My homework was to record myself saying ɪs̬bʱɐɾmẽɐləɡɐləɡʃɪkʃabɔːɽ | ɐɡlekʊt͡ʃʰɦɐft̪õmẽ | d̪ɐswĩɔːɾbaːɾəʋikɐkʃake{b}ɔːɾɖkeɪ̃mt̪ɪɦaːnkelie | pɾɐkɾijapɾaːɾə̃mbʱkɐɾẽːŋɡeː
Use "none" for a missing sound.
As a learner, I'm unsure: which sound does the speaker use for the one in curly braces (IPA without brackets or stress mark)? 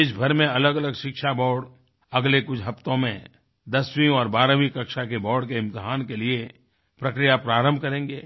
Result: b